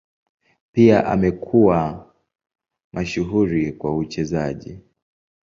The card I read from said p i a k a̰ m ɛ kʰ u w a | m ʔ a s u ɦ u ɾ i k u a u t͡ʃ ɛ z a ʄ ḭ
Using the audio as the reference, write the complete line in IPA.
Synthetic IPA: p i a ʔ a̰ m ɛ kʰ u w a | m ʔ a ʃ u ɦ u ɾ i k w a u t͡ʃ ɛ z a ʄ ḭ